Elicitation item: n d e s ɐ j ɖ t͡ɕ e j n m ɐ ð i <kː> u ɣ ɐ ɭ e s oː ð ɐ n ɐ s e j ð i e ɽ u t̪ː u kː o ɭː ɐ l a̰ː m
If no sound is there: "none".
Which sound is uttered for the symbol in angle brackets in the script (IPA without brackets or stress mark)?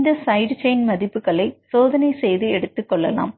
pː